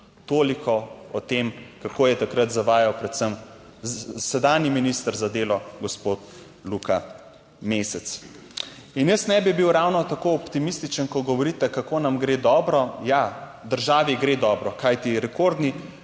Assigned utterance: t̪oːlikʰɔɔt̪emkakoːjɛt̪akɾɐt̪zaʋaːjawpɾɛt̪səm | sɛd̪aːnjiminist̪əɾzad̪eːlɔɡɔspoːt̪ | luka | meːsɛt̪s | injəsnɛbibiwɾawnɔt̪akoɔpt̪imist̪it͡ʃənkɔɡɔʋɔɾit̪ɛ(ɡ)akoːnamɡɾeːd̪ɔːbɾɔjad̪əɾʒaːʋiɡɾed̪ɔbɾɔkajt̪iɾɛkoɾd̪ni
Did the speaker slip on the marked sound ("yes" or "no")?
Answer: yes